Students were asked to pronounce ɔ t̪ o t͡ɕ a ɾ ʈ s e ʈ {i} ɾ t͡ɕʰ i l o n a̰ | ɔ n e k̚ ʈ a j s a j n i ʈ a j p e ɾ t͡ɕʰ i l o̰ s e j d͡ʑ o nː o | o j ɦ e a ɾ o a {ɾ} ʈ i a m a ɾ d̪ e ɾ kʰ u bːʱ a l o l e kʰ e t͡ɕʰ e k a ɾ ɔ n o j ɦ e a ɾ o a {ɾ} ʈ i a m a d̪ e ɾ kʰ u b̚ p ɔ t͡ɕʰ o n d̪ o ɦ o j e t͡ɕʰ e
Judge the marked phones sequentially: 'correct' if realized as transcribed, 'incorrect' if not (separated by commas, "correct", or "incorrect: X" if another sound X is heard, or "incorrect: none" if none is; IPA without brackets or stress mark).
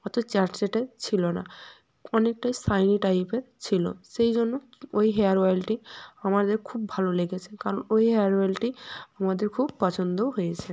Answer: incorrect: e, incorrect: l, incorrect: l